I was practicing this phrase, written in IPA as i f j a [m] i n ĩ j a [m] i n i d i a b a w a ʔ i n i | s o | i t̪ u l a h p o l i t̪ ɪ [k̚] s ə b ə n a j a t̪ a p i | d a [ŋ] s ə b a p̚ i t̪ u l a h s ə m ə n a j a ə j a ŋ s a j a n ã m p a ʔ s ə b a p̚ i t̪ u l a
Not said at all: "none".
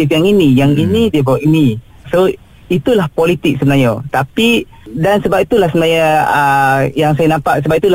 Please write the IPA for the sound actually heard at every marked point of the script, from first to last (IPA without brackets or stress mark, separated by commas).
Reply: ŋ, ŋ, k̚, n